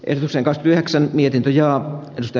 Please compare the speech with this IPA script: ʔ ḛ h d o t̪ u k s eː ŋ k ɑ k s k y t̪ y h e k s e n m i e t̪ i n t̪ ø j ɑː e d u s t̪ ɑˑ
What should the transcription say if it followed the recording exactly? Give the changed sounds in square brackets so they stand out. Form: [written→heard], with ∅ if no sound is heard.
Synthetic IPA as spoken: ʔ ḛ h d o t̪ u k s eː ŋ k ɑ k s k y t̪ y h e k s [e→æ] n m i e t̪ i n t̪ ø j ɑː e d u s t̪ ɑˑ